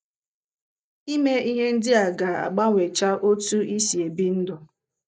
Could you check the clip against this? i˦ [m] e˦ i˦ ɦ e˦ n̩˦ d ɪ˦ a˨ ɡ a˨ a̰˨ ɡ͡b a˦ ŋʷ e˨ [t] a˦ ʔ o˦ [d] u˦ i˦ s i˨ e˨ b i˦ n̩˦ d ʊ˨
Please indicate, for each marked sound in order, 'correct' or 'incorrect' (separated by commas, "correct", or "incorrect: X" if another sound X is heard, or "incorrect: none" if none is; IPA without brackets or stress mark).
correct, incorrect: t͡ʃ, incorrect: t